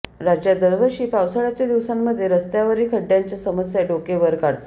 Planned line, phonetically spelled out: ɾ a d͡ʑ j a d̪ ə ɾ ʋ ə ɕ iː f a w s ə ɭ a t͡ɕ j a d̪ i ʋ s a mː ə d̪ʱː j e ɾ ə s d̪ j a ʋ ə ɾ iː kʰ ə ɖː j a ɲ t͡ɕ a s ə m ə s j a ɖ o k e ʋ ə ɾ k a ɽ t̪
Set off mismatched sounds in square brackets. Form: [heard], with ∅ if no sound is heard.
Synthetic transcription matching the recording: ɾ a d͡ʑ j a d̪ ə ɾ ʋ ə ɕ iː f a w s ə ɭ a t͡ɕ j a d̪ i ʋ s a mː ə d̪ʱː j e ɾ ə s [t̪] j a ʋ ə ɾ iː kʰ ə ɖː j a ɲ t͡ɕ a s ə m ə s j a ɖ o k e ʋ ə ɾ k a ɽ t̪